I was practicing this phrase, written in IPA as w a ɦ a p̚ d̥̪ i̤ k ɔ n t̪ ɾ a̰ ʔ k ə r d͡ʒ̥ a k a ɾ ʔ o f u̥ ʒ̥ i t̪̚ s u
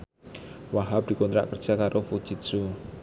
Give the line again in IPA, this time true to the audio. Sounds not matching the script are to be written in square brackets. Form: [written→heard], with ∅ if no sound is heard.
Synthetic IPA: w a ɦ a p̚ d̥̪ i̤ k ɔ n t̪ ɾ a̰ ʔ k ə r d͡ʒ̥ a k a ɾ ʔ o f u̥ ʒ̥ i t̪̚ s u